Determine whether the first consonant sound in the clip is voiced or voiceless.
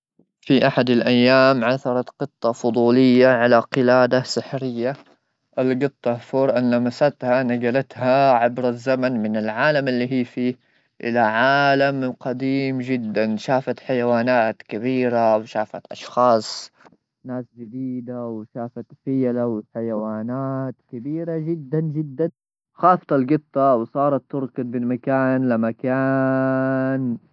voiceless